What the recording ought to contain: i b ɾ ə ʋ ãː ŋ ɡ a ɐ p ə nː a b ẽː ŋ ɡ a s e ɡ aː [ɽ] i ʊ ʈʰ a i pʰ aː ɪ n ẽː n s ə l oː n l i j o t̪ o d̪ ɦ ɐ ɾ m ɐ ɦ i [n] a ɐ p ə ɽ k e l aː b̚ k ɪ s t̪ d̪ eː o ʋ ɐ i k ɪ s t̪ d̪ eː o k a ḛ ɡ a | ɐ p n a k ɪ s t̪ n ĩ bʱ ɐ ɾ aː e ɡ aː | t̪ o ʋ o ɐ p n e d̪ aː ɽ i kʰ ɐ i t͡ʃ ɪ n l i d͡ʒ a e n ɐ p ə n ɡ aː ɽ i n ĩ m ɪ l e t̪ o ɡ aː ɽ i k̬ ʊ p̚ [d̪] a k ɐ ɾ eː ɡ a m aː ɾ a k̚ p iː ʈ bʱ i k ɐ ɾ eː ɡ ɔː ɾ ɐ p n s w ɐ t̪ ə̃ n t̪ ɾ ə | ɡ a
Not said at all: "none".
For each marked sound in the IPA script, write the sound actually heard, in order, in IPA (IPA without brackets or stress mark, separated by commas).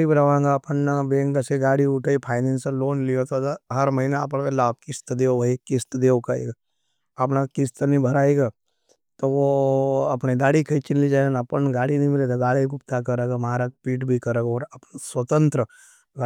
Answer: ɽ, n, t̪